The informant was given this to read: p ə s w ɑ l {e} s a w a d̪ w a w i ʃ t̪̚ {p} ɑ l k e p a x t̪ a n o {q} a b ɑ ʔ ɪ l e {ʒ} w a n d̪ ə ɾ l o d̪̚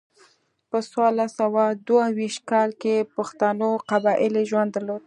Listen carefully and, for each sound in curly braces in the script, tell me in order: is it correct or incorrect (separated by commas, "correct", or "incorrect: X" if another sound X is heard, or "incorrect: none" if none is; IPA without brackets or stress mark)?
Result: incorrect: a, incorrect: k, correct, correct